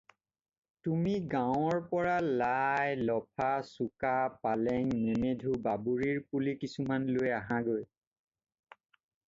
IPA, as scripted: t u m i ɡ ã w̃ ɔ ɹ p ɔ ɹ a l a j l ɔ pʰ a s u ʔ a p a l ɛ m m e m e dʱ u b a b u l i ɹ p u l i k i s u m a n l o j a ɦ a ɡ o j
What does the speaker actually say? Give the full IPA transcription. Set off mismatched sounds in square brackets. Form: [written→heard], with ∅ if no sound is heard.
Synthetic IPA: t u m i ɡ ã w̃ ɔ ɹ p ɔ ɹ a l a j l ɔ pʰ a s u [ʔ→k] a p a l ɛ [m→ŋ] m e m e dʱ u b a b u [l→ɹ] i ɹ p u l i k i s u m a n l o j a ɦ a ɡ o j